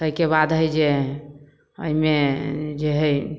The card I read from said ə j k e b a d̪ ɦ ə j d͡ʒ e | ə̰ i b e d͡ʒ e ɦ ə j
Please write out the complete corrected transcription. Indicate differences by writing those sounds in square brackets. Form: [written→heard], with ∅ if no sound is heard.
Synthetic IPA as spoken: ə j k e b a d̪ ɦ ə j d͡ʒ e | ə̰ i [b→m] e d͡ʒ e ɦ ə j